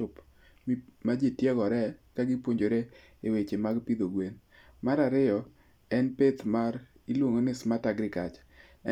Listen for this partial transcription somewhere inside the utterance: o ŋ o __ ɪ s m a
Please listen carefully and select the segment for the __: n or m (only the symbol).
n